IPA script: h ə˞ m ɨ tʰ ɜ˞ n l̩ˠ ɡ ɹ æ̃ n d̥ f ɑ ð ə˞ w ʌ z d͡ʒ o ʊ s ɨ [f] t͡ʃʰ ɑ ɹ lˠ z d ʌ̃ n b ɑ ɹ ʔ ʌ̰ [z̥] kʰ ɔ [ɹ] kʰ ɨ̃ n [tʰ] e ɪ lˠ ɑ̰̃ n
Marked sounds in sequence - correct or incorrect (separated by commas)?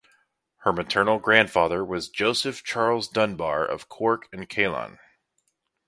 correct, incorrect, correct, incorrect